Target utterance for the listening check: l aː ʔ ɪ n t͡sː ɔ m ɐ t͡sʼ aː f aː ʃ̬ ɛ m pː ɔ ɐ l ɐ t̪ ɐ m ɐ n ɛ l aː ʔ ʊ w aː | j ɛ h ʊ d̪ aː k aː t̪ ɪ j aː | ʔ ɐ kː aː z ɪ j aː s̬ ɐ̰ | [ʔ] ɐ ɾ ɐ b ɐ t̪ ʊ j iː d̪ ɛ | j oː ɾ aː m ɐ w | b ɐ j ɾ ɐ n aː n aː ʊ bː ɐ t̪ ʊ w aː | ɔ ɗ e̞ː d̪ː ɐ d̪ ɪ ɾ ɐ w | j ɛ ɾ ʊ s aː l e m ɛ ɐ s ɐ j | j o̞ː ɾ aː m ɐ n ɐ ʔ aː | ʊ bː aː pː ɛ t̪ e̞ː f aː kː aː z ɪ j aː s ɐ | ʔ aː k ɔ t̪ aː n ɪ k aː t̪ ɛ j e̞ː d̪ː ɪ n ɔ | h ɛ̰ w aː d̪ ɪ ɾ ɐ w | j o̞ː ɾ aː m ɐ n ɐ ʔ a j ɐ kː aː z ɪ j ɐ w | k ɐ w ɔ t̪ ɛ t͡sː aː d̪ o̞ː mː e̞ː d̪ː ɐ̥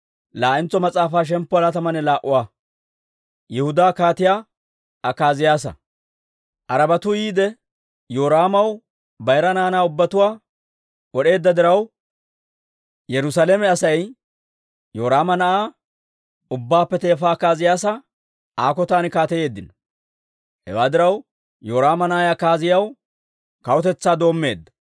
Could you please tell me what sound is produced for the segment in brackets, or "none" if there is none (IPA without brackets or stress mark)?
ʔ